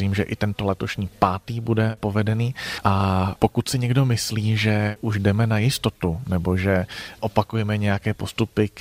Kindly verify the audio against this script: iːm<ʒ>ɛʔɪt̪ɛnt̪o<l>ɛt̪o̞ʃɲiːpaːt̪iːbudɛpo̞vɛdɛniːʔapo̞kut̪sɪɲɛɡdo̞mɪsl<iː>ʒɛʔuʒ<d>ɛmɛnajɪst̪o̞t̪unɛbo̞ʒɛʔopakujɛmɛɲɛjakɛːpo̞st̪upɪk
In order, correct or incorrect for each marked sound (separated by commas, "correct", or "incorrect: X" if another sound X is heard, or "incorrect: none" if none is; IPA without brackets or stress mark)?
correct, correct, correct, correct